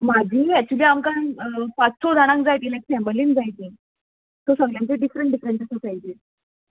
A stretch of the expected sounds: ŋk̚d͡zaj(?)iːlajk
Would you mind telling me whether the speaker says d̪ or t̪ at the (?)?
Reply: t̪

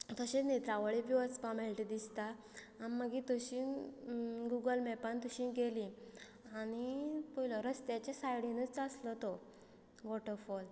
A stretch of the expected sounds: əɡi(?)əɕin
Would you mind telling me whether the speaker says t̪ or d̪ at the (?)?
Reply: t̪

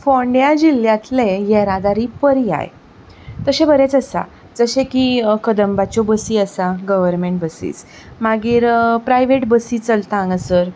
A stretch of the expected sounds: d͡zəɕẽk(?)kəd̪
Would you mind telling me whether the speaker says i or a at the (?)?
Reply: i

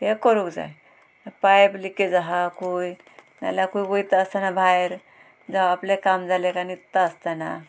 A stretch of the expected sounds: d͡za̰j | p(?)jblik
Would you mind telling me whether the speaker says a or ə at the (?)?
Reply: a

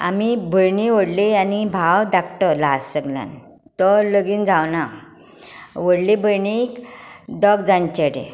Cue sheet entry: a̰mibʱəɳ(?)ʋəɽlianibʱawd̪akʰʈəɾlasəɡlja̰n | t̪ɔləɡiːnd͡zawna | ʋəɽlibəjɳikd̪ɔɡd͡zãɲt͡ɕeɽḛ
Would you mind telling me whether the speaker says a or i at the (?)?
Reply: i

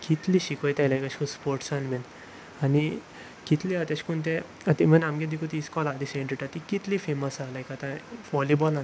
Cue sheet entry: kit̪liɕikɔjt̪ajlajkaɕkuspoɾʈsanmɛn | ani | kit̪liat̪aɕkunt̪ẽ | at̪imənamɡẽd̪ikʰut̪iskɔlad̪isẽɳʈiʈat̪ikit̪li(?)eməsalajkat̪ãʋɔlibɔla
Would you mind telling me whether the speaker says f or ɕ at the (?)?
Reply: f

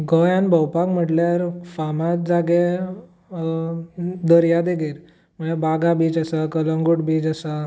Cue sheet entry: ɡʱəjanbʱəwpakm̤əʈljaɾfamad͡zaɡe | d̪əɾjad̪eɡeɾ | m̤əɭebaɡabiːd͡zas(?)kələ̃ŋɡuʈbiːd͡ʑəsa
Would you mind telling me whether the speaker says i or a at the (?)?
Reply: a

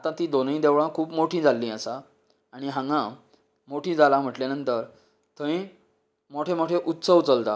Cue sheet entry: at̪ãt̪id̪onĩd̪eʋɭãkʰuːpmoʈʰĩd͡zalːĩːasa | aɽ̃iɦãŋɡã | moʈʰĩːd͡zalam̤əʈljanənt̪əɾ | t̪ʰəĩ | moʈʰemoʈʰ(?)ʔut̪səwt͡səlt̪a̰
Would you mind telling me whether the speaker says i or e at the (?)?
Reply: e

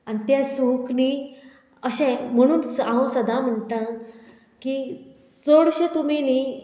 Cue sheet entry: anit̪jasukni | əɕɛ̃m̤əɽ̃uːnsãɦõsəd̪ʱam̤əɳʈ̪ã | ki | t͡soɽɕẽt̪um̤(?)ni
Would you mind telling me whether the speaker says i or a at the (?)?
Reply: i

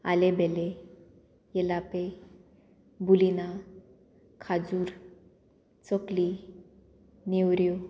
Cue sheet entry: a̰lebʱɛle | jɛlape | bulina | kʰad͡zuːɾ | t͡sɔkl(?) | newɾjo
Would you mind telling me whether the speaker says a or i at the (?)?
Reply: i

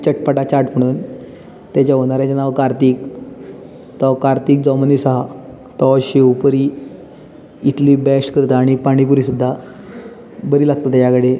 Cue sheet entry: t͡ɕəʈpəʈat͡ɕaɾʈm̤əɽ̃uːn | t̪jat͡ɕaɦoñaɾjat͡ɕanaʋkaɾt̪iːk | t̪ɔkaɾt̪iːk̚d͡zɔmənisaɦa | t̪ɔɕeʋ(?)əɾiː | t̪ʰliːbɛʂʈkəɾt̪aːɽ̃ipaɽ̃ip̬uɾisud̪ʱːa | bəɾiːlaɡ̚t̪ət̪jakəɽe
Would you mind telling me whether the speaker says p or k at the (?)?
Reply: p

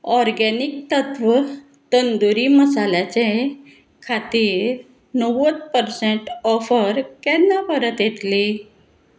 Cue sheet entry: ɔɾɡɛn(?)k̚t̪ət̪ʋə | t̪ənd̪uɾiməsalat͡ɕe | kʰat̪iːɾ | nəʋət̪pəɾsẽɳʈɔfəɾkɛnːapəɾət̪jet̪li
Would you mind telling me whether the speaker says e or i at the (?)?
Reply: i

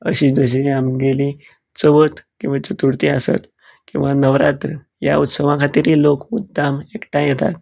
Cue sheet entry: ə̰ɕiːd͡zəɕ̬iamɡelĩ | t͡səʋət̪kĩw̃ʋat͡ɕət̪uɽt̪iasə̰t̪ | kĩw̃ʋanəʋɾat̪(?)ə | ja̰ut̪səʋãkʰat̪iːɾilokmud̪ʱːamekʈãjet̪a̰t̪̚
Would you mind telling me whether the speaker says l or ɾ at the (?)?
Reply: ɾ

